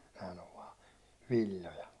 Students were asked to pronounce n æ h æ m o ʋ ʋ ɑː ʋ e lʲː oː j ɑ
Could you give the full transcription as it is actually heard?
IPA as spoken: n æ h æ n o ʋ ʋ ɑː ʋ i lʲː o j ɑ